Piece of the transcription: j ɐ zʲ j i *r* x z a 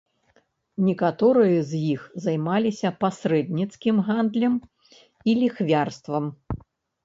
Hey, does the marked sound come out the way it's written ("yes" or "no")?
no